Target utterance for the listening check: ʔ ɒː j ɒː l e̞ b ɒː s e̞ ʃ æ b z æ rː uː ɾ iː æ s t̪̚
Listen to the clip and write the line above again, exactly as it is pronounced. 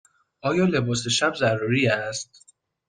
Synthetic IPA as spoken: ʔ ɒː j ɒː l e̞ b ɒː s e̞ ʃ æ b z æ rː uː ɾ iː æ s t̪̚